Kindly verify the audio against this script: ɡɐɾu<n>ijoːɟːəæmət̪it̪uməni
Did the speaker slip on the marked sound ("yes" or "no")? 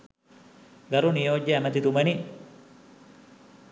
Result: no